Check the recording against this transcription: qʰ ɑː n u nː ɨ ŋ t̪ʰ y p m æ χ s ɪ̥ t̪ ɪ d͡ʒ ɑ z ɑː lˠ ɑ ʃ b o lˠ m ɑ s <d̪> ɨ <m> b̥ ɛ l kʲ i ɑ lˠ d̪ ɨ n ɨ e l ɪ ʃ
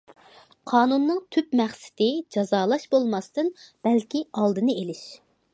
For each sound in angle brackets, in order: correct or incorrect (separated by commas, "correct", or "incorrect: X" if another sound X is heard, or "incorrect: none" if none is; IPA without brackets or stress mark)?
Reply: incorrect: t̪, incorrect: n